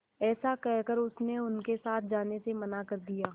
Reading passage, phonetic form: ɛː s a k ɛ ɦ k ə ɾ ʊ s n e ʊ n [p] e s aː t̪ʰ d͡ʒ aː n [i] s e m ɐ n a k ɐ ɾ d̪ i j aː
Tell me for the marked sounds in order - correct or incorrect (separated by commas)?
incorrect, incorrect